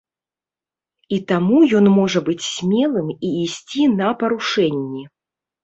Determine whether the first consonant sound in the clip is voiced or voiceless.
voiceless